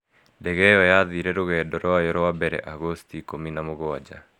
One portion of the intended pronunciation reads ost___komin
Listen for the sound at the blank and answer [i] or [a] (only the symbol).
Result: i